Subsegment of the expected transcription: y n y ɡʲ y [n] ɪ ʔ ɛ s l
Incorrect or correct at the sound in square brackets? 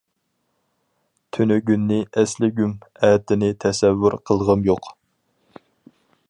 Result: incorrect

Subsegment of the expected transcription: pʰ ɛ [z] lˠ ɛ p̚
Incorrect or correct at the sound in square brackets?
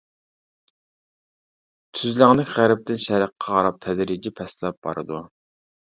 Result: incorrect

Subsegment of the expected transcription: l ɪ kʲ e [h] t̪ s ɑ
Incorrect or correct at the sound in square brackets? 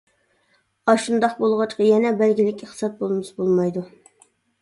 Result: incorrect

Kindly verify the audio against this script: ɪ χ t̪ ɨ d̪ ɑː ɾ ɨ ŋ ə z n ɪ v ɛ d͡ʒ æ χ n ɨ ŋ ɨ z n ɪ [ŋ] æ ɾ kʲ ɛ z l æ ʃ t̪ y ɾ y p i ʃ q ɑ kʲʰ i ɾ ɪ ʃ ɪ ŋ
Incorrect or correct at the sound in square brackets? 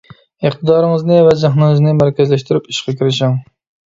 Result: incorrect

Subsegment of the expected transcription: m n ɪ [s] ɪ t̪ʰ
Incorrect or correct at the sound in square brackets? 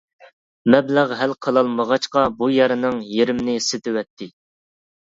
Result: correct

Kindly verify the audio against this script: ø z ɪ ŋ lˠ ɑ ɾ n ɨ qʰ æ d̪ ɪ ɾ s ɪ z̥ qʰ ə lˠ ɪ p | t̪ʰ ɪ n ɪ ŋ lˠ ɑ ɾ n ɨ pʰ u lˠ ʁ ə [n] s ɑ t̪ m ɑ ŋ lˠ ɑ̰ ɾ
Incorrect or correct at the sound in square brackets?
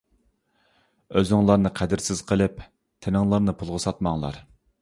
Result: incorrect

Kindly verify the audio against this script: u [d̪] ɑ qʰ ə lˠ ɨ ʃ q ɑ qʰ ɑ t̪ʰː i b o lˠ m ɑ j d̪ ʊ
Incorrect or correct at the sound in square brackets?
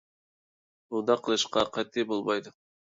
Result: correct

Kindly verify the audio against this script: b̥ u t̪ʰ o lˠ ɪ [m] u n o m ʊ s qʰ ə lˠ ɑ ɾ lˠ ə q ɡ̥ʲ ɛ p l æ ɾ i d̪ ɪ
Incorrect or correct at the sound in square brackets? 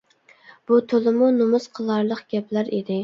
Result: correct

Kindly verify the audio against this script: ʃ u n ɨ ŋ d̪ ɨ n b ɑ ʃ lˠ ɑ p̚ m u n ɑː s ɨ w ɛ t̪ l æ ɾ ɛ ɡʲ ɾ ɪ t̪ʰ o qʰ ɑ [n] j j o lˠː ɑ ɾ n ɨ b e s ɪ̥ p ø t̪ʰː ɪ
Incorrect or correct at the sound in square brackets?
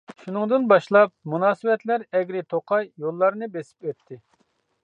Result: incorrect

